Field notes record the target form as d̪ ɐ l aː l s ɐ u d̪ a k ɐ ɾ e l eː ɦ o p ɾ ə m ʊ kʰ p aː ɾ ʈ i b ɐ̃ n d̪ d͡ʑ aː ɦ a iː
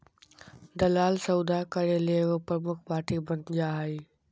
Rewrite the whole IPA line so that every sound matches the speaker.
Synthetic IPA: d̪ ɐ l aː l s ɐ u d̪ a k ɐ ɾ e l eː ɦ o p ɾ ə m ʊ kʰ p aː ɾ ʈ i b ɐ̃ n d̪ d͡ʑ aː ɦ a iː